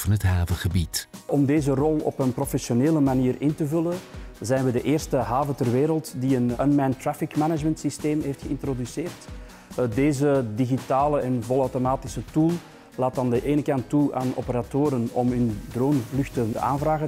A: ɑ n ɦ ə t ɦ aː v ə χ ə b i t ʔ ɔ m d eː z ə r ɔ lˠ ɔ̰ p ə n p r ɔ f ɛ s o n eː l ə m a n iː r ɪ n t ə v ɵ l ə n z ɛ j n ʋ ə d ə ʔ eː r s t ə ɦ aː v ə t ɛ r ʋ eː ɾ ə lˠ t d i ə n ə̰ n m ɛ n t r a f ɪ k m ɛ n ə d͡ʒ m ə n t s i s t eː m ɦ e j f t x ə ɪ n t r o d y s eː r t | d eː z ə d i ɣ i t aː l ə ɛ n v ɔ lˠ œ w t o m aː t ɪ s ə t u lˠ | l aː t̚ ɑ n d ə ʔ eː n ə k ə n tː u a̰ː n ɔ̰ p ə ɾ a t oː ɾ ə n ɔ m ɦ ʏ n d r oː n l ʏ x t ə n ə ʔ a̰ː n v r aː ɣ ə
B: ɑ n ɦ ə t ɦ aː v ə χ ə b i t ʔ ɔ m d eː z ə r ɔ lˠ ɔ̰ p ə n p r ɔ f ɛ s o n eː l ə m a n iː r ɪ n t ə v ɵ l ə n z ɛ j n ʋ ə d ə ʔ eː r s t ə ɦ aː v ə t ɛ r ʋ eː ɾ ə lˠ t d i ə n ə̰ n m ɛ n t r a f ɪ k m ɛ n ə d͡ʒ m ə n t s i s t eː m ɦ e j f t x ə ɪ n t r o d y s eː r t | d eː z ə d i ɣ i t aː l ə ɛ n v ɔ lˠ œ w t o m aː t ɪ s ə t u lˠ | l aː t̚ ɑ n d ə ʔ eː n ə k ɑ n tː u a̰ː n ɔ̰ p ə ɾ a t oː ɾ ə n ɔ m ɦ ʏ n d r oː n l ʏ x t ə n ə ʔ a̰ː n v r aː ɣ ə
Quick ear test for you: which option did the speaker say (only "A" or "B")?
B